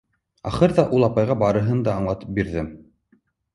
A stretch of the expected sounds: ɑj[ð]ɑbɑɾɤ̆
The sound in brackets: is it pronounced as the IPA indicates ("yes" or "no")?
no